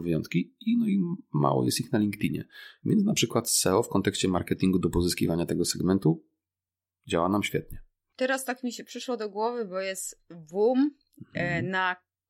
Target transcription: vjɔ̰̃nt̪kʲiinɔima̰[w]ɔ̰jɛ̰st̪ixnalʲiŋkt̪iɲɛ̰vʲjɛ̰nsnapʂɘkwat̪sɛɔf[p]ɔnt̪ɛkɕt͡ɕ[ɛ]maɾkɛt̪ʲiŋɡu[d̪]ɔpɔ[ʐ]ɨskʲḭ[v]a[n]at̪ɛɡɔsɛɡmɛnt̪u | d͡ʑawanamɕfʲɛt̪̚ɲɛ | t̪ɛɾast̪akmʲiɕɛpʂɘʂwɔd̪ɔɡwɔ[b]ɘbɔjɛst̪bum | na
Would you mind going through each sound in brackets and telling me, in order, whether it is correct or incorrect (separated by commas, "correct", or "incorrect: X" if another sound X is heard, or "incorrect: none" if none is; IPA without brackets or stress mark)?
correct, incorrect: k, correct, correct, incorrect: z, correct, incorrect: ɲ, incorrect: v